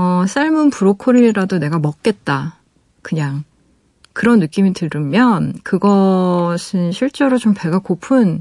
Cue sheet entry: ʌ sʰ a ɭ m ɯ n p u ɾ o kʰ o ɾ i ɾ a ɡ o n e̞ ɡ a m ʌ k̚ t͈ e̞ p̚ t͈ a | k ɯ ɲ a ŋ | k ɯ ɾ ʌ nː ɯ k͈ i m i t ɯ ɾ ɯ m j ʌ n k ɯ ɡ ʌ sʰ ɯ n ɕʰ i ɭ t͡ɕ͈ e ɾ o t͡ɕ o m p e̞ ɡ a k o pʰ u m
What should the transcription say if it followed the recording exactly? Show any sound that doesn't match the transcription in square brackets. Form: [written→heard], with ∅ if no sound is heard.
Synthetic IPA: ʌ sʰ a ɭ m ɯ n p u ɾ o kʰ o ɾ i ɾ a [ɡ→d] o n e̞ ɡ a m ʌ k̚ [t͈→k͈] e̞ [p̚→t̚] t͈ a | k ɯ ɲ a ŋ | k ɯ ɾ ʌ nː ɯ k͈ i m i t ɯ ɾ ɯ m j ʌ n k ɯ ɡ ʌ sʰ ɯ n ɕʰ i ɭ t͡ɕ͈ e ɾ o t͡ɕ o m p e̞ ɡ a k o pʰ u [m→n]